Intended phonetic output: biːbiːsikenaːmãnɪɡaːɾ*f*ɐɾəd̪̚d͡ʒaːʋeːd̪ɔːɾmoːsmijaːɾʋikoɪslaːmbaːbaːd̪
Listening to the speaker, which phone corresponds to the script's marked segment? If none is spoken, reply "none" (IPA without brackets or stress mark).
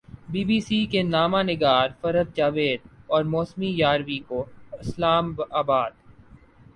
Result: f